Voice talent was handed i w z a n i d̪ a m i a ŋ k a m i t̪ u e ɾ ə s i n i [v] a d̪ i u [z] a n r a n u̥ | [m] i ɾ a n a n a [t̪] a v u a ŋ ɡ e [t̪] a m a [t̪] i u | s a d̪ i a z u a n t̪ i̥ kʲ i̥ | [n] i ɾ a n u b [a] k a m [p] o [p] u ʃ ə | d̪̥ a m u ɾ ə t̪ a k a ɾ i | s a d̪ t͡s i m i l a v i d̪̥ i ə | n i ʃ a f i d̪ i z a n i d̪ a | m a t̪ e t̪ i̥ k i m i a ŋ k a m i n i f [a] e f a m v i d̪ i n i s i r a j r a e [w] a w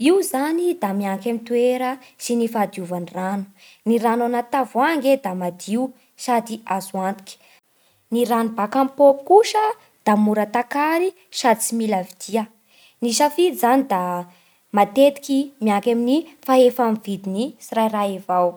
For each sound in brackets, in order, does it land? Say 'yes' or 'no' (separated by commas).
no, no, no, yes, no, no, yes, yes, yes, no, yes, no